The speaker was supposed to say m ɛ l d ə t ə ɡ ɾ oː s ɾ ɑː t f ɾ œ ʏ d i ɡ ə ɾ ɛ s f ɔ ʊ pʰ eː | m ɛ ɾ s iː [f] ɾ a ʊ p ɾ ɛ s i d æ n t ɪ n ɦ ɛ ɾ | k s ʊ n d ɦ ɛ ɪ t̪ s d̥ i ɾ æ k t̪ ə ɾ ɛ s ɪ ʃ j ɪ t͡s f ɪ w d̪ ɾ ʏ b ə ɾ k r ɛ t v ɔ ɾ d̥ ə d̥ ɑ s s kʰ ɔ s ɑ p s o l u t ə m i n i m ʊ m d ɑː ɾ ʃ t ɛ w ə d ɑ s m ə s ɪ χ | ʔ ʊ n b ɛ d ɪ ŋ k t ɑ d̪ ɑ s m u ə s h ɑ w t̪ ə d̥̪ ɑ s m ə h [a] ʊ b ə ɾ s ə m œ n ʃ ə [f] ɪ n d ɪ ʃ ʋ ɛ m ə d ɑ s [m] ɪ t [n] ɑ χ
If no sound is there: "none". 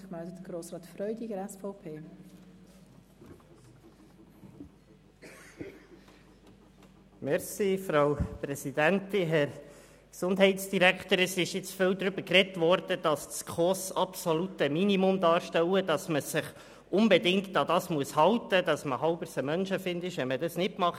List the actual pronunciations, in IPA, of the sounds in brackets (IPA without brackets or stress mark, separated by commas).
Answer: f, ɑ, f, n, m